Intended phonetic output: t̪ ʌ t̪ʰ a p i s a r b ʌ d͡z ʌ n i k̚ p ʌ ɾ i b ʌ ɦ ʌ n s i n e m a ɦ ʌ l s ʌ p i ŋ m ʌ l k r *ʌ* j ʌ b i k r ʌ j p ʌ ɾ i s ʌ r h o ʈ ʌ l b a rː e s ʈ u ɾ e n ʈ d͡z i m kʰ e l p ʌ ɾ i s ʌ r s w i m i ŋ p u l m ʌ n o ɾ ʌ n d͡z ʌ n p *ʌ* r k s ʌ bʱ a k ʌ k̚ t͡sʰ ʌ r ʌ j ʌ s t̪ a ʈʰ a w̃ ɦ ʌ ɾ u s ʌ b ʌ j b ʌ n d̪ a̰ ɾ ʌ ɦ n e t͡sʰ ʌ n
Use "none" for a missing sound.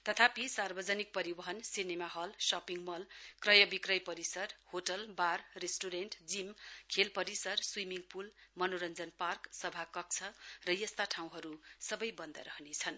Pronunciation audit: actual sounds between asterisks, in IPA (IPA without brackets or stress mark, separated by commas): ʌ, a